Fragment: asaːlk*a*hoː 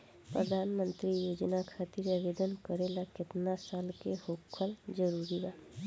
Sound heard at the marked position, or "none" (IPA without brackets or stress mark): e